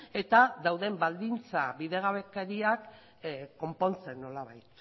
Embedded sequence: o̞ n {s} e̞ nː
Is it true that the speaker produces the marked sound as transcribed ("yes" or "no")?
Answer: no